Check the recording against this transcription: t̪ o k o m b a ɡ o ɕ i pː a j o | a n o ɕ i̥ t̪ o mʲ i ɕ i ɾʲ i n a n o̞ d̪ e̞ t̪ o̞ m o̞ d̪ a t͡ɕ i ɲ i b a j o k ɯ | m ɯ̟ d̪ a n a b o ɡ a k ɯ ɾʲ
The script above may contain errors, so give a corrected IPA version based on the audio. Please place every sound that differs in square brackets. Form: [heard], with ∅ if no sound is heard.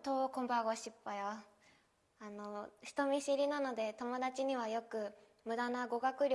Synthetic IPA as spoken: t̪ o k o m b a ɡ o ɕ i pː a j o | a n o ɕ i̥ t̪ o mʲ i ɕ i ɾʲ i n a n o̞ d̪ e̞ t̪ o̞ m o̞ d̪ a t͡ɕ i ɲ i [β] a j o k ɯ | m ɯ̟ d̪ a n a [ɡ] o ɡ a k ɯ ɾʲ